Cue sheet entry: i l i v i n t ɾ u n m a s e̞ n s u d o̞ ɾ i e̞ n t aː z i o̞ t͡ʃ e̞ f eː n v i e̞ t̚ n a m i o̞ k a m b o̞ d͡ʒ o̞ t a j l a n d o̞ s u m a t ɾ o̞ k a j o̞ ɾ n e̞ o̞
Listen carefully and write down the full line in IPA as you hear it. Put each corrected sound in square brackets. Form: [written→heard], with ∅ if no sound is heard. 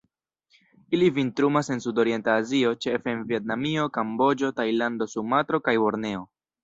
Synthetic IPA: i l i v i n t ɾ u [n→∅] m a s e̞ n s u d o̞ ɾ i e̞ n t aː z i o̞ t͡ʃ e̞ f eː n v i e̞ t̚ n a m i o̞ k a m b o̞ d͡ʒ o̞ t a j l a n d o̞ s u m a t ɾ o̞ k a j o̞ ɾ n e̞ o̞